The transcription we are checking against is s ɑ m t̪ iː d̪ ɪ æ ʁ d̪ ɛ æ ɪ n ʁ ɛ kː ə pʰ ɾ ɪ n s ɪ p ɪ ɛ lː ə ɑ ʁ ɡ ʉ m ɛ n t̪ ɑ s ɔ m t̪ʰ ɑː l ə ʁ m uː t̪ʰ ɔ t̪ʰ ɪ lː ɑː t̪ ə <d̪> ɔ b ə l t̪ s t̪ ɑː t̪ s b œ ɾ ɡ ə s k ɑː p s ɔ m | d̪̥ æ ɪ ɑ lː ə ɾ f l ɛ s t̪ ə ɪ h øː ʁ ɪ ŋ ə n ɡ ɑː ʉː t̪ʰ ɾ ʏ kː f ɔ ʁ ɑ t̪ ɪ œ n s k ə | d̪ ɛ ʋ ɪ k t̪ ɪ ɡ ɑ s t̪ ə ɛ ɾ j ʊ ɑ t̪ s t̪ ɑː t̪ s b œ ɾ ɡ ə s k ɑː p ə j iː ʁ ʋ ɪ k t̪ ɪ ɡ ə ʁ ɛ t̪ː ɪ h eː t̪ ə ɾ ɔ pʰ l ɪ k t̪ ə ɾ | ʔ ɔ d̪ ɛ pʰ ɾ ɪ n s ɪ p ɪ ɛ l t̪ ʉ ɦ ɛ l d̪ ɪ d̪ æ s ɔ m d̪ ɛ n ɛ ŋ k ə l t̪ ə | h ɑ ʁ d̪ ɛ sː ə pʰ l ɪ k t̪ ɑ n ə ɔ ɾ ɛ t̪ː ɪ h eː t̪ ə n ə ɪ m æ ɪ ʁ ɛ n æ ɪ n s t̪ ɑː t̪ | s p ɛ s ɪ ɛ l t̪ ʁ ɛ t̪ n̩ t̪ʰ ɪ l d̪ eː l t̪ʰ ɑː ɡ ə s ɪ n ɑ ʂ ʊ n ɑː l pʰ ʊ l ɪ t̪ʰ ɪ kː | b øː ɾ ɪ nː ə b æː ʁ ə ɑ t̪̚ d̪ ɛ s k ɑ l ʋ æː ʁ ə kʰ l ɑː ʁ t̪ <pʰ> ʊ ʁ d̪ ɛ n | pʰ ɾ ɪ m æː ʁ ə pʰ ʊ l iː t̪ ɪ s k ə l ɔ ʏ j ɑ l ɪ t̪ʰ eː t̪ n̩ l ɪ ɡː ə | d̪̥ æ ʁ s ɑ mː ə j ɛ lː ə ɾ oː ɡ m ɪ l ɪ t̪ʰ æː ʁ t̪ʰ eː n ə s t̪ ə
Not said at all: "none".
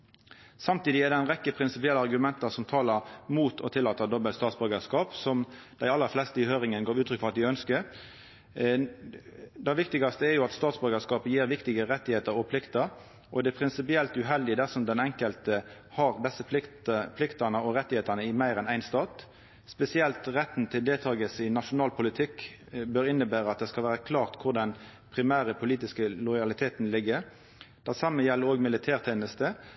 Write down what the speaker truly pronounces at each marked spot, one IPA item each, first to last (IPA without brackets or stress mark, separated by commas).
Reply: d̪, kʰ